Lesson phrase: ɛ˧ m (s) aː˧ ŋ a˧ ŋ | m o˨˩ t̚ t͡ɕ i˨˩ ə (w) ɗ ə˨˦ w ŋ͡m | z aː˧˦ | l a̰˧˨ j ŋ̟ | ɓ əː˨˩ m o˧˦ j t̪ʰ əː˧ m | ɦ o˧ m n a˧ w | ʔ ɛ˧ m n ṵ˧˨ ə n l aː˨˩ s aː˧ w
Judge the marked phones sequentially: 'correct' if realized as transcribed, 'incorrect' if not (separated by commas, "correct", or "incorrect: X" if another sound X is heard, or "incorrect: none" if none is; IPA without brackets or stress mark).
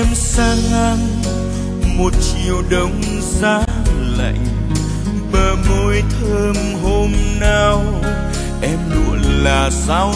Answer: correct, correct